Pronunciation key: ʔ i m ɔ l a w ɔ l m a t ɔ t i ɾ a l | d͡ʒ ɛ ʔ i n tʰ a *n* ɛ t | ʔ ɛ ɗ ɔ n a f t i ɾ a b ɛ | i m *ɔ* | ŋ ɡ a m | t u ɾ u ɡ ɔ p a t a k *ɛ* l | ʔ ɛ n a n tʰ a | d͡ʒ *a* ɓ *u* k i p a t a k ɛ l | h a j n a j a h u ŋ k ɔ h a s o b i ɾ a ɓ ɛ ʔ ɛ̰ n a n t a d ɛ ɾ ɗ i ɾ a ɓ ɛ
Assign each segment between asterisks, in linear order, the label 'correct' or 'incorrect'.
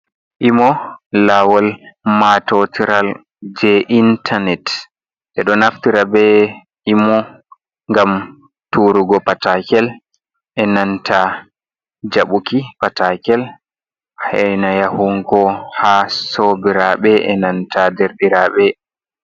correct, correct, correct, correct, correct

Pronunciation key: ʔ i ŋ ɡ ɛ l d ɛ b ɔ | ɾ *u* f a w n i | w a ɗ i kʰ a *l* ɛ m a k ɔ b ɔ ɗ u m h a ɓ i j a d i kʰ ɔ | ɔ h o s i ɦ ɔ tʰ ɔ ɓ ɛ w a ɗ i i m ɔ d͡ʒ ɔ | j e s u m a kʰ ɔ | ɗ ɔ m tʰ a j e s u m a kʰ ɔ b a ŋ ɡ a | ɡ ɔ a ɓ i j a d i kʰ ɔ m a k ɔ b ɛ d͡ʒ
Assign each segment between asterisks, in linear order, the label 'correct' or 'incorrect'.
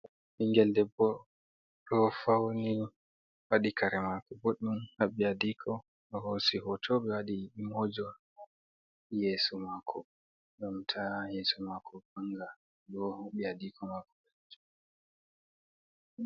incorrect, incorrect

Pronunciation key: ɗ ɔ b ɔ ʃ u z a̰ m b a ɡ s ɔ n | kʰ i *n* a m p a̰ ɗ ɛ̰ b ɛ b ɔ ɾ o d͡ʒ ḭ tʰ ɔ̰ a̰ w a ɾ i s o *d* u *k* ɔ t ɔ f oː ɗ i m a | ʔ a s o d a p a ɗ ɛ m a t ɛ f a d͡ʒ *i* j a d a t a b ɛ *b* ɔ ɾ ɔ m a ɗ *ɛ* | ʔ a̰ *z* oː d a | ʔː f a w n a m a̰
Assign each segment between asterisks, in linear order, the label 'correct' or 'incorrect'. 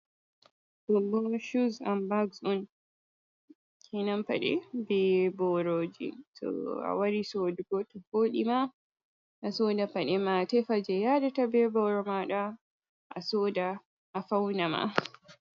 correct, correct, incorrect, incorrect, correct, incorrect, incorrect

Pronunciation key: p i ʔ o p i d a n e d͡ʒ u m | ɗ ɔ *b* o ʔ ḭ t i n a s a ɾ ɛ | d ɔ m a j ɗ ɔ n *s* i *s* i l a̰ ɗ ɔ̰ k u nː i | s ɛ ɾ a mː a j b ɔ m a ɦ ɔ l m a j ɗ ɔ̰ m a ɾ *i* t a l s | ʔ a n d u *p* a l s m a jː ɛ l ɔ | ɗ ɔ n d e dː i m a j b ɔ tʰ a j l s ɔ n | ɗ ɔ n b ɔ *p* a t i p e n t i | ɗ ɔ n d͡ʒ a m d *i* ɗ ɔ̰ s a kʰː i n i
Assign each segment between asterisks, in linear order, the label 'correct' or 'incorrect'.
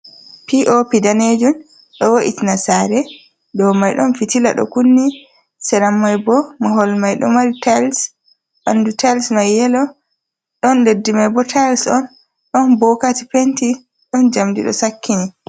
incorrect, incorrect, incorrect, correct, incorrect, incorrect, correct

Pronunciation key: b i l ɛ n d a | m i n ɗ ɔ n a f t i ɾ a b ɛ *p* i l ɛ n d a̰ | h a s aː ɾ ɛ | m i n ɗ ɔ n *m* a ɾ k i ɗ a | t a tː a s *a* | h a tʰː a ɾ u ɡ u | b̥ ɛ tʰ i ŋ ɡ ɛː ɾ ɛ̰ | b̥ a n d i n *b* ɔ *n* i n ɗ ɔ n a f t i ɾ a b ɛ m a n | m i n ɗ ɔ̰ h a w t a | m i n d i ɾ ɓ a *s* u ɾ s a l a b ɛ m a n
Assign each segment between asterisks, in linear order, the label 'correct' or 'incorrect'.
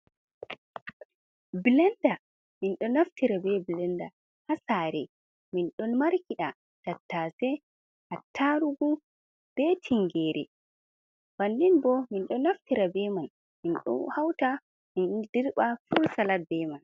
incorrect, correct, incorrect, correct, incorrect, incorrect

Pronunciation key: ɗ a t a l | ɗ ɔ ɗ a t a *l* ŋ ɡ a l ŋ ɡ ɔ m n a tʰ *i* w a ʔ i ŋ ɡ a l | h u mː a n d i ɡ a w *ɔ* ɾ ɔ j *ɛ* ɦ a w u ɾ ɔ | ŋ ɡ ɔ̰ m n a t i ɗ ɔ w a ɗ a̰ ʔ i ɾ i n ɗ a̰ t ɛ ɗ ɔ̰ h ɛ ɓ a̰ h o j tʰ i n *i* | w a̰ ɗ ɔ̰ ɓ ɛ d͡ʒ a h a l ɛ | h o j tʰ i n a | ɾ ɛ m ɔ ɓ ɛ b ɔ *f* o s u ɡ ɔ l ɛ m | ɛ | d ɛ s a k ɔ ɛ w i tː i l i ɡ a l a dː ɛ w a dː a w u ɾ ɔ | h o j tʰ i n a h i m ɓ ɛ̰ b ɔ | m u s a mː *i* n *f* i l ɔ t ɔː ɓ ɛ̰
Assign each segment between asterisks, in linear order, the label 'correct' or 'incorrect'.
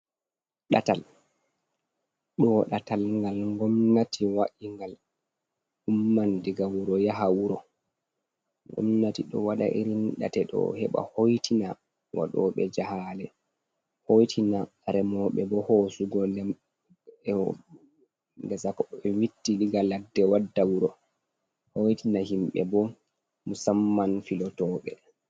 correct, correct, incorrect, incorrect, incorrect, incorrect, incorrect, correct

